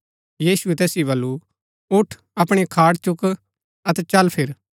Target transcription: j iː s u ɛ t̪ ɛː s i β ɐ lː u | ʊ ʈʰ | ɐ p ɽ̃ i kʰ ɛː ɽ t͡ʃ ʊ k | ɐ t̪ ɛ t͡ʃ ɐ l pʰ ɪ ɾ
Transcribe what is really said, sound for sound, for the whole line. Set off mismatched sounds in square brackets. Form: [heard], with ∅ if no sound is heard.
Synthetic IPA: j iː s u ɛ t̪ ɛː s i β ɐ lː u | ʊ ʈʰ | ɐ p ɽ̃ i kʰ [aː] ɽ t͡ʃ ʊ k | ɐ t̪ ɛ t͡ʃ ɐ l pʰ ɪ ɾ